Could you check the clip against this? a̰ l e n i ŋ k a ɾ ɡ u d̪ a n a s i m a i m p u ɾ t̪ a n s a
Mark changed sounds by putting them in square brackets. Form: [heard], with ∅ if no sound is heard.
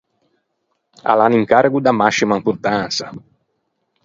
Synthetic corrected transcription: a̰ l [a] n i ŋ k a ɾ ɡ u d̪ a [m] a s i m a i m p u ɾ t̪ a n s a